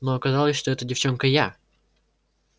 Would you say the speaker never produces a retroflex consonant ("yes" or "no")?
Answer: no